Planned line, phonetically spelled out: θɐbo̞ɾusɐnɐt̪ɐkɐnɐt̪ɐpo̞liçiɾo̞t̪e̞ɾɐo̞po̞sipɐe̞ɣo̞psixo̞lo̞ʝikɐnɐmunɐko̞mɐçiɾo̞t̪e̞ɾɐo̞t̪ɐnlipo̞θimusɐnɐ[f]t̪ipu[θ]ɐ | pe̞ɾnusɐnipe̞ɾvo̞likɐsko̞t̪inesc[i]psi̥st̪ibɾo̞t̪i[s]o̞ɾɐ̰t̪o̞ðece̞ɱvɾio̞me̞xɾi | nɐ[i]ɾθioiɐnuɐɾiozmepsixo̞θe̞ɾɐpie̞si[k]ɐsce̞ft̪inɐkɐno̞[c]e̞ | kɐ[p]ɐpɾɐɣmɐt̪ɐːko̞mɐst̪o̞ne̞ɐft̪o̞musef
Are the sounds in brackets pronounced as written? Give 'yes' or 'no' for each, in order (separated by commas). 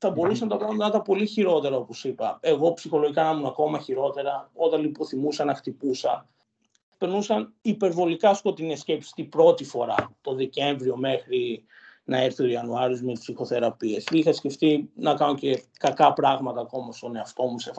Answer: no, no, no, no, no, no, yes, no